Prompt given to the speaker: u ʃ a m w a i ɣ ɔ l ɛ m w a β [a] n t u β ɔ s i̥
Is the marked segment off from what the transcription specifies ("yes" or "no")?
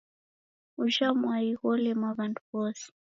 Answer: no